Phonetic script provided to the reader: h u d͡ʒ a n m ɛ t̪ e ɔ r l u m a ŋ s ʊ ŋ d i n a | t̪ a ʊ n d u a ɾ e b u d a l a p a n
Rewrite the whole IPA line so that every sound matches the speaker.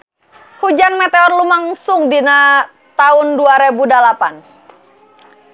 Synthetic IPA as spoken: h u d͡ʒ a n m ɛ t̪ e ɔ r l u m a ŋ s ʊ ŋ d i n a | t̪ a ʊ n d u a ɾ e b u d a l a p a n